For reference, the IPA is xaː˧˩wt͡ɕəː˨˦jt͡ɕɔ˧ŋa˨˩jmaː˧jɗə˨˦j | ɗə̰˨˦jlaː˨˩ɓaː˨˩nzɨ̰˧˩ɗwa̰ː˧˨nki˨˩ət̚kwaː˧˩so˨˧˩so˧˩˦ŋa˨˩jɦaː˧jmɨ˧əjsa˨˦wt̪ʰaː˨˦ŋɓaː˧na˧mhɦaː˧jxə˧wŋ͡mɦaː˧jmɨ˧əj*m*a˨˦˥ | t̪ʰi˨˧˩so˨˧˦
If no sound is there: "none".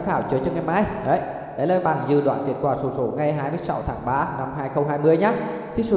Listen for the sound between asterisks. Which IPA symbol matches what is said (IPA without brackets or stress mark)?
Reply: ɲ